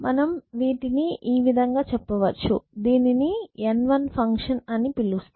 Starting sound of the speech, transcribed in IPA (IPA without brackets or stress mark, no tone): m